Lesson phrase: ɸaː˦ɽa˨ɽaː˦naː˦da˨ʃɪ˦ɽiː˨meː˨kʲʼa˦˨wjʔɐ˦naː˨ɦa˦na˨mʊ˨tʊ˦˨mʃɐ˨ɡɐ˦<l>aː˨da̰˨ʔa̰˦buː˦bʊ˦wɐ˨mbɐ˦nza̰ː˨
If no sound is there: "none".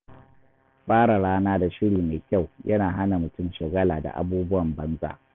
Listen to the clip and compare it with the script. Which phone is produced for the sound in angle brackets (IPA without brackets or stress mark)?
l